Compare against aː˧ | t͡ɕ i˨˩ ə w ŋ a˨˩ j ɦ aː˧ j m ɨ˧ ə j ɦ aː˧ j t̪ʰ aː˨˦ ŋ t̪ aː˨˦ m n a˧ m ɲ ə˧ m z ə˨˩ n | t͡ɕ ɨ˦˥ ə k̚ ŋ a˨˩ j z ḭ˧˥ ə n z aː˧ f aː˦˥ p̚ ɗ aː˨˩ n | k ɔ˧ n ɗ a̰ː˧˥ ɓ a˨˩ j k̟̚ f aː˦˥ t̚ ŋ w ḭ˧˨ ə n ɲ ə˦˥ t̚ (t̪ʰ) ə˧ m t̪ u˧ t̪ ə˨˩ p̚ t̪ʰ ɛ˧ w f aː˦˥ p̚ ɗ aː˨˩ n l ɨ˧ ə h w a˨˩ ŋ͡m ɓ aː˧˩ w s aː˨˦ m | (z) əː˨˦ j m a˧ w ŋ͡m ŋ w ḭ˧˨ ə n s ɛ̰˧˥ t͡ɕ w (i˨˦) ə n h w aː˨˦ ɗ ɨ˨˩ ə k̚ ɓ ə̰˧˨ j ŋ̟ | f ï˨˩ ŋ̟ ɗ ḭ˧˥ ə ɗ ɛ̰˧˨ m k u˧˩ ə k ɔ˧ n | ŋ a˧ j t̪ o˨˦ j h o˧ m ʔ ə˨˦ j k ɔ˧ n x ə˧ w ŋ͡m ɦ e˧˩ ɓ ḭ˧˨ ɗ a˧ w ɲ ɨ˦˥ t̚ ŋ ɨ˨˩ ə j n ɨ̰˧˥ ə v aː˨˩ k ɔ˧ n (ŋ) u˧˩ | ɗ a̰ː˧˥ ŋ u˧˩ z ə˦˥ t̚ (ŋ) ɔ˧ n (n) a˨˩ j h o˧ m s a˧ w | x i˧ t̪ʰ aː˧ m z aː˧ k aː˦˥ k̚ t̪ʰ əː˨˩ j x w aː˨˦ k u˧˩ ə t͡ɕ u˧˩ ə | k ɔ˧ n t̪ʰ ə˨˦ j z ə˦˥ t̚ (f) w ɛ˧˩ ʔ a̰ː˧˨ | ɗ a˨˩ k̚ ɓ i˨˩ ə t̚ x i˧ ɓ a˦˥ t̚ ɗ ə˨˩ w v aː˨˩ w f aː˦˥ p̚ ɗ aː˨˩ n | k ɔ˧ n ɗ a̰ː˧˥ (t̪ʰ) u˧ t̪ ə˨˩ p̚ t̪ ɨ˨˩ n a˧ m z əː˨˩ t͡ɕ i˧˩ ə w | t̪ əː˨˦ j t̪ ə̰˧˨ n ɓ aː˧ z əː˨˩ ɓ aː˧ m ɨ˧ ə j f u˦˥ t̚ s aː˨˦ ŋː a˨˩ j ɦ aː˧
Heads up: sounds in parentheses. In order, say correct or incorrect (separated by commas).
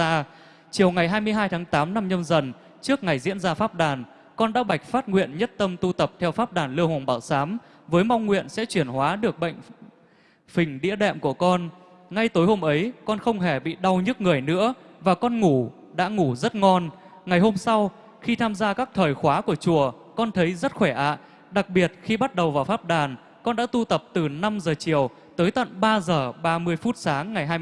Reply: incorrect, incorrect, incorrect, correct, correct, incorrect, incorrect, incorrect